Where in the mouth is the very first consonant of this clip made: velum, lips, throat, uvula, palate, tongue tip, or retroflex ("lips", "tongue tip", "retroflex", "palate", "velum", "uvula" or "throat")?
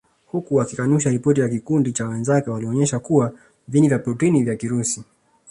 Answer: throat